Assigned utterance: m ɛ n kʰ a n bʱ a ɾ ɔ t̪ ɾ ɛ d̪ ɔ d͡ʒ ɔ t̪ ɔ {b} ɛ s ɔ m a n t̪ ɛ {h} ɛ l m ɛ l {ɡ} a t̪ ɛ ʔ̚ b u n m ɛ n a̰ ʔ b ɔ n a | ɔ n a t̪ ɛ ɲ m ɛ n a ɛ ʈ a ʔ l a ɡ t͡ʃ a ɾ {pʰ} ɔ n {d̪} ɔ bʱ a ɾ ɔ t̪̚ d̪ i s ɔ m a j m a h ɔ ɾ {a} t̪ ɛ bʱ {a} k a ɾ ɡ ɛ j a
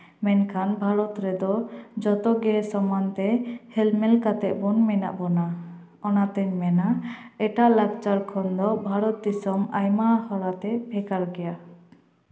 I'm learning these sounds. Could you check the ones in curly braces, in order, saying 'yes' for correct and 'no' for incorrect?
no, yes, no, no, yes, yes, no

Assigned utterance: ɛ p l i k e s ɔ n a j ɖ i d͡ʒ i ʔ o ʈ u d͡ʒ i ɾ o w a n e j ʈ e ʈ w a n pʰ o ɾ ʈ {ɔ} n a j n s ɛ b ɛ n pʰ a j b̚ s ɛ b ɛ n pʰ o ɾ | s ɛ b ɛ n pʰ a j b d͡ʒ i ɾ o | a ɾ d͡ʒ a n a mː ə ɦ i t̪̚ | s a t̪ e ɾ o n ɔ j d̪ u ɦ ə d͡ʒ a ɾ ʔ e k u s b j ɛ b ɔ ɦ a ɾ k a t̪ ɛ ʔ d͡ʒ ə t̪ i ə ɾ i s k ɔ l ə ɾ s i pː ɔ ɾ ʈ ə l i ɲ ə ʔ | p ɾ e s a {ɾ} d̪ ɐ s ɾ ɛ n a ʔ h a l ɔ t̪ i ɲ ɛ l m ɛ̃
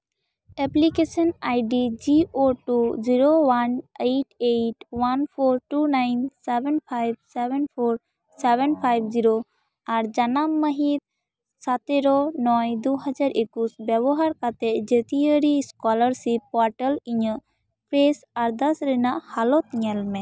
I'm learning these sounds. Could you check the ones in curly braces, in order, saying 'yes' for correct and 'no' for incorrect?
no, yes

